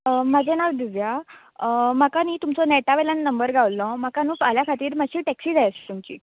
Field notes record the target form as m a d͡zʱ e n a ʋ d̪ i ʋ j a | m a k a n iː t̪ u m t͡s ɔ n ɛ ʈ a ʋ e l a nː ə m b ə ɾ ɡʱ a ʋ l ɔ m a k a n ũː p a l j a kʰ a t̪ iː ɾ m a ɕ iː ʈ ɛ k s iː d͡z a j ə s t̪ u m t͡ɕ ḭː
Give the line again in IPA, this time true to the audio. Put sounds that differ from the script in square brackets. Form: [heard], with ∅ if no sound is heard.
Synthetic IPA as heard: m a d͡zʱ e n a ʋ d̪ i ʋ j a | m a k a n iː t̪ u m t͡s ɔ n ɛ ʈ a ʋ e l a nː ə m b ə ɾ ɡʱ a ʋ l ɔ m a k a n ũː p a l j a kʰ a t̪ iː ɾ m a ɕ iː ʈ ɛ k s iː d͡z a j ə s t̪ u m t͡ɕ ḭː